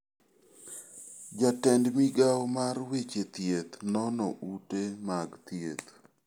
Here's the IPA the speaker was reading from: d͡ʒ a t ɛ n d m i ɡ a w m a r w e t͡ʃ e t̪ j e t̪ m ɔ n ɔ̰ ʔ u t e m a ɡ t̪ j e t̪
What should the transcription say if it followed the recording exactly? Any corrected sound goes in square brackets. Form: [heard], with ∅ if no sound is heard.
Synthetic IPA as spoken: d͡ʒ a t ɛ n d m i ɡ a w m a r w e t͡ʃ e t̪ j e t̪ [n] ɔ n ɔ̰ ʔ u t e m a ɡ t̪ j e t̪